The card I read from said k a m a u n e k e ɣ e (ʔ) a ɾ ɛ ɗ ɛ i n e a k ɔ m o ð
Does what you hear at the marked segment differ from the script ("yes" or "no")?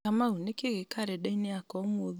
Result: yes